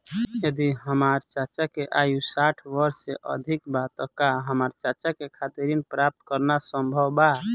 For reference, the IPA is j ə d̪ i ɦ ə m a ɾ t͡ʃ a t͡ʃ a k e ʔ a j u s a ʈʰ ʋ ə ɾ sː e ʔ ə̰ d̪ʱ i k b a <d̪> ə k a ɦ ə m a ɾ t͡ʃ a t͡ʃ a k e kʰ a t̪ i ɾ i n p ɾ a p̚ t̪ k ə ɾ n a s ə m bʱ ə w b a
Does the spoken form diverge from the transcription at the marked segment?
yes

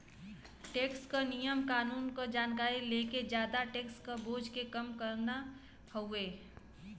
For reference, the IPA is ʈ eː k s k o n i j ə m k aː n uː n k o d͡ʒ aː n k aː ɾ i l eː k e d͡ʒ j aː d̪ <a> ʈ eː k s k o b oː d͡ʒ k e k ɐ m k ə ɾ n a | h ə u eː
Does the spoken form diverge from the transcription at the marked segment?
no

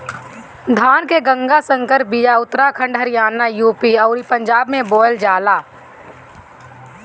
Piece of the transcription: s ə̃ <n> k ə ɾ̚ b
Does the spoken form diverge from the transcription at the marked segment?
yes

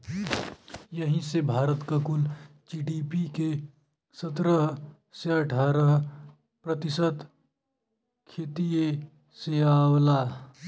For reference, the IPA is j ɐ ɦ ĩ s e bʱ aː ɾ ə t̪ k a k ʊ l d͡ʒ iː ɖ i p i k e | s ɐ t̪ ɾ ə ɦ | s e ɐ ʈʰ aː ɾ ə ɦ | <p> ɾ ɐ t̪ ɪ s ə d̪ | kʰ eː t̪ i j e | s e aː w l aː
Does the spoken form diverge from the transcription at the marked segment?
no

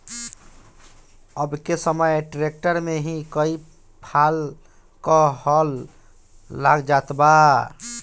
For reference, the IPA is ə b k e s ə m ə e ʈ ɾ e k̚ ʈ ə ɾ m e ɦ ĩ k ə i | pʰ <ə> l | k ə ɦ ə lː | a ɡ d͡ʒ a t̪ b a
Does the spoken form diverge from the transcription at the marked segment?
yes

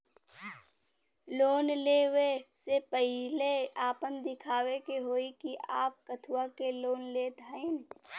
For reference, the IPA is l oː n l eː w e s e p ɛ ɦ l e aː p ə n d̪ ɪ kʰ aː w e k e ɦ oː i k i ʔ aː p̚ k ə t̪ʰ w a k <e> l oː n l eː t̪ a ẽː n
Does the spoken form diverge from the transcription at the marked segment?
no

